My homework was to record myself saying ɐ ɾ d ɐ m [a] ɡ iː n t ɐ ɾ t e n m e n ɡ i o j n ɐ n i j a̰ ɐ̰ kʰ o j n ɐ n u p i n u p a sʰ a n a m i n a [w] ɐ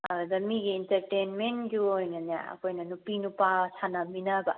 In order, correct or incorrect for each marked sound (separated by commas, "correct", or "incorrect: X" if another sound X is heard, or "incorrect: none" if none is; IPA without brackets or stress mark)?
incorrect: i, incorrect: b